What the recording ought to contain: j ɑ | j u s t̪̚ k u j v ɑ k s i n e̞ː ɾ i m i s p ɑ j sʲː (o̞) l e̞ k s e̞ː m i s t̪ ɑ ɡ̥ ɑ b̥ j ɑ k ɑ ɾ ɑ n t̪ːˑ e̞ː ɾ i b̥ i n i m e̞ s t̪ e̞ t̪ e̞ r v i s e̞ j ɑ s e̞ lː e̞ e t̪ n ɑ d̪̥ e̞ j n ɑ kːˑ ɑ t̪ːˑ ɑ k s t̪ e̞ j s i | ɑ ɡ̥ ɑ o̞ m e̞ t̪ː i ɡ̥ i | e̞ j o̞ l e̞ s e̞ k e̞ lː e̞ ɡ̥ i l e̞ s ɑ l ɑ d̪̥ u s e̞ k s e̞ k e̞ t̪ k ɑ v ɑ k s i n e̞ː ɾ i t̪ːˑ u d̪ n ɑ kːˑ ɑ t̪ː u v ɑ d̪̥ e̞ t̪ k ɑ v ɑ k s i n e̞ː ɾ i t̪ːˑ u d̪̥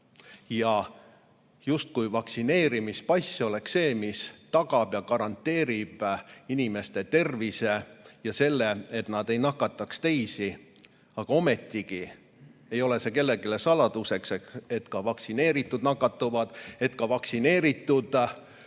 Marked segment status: correct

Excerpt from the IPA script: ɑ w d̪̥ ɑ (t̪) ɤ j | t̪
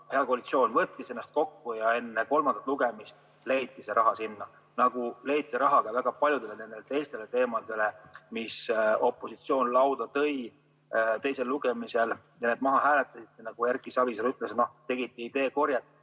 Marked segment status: correct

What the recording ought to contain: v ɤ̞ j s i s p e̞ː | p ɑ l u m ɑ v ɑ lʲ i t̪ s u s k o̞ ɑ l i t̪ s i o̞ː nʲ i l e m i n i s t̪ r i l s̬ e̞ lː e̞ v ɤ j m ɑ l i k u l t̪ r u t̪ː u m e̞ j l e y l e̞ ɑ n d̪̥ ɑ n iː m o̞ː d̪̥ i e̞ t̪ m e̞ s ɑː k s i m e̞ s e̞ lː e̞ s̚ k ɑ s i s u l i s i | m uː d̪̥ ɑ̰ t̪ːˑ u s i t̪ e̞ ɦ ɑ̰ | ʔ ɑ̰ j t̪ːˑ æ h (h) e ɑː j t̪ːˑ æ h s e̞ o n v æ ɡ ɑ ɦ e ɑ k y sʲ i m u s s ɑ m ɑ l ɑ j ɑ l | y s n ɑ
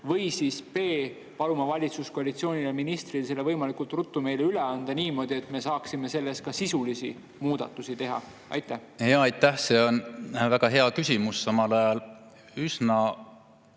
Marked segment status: correct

